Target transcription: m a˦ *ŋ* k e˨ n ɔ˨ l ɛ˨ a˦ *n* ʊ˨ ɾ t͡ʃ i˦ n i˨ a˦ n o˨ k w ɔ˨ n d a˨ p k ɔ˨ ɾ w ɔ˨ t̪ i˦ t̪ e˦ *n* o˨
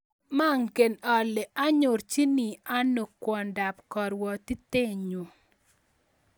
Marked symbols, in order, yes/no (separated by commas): yes, no, no